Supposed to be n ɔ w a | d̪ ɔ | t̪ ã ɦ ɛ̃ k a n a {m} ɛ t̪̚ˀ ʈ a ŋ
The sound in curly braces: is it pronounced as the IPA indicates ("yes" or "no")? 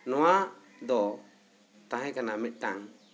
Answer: yes